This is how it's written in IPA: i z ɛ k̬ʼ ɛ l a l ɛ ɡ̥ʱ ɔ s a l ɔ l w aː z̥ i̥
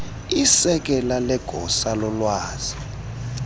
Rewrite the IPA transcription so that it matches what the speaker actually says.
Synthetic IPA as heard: i s ɛ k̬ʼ ɛ l a l ɛ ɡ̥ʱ ɔ s a l ɔ l w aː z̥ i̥